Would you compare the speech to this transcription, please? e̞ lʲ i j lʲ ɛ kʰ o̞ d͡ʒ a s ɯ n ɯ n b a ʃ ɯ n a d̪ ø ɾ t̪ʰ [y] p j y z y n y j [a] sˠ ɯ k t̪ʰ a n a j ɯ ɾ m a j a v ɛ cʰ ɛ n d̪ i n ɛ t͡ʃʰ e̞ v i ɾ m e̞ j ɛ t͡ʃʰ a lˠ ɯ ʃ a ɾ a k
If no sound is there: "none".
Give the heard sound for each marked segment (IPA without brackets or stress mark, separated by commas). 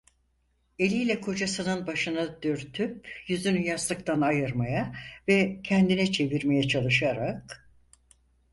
y, a